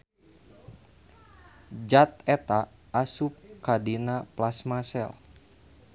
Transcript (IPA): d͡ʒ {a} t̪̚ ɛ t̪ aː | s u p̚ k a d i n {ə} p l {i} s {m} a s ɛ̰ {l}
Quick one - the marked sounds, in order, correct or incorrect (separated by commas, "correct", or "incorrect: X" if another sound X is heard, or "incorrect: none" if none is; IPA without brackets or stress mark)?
correct, incorrect: a, incorrect: a, correct, correct